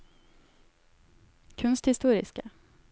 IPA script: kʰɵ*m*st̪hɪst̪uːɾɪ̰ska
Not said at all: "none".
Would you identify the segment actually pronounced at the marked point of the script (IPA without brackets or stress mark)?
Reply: n